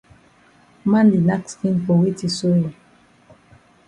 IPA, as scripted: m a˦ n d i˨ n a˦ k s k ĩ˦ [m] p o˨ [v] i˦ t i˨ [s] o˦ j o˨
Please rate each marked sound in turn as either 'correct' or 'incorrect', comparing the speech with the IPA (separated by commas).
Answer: incorrect, incorrect, correct